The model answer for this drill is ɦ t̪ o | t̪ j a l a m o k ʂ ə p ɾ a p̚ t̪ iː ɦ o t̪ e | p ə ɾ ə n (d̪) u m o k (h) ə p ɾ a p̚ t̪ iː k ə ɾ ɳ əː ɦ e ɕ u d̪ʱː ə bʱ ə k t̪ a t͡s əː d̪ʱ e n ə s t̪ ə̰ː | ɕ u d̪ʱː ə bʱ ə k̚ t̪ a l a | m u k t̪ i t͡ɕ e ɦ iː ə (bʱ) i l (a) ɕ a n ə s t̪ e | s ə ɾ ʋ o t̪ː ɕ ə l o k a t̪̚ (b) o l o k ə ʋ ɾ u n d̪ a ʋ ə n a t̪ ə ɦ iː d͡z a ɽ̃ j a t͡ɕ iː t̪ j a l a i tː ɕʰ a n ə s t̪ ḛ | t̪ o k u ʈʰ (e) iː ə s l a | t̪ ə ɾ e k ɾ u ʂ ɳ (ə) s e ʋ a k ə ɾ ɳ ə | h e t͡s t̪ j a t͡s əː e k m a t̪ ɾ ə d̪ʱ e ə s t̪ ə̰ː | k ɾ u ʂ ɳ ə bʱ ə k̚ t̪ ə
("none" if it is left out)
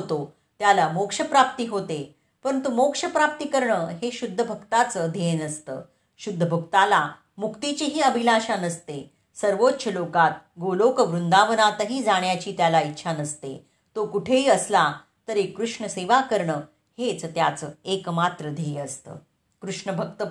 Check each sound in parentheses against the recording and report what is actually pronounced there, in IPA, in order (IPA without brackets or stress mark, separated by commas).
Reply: t̪, ʂ, bʱ, a, ɡ, e, ə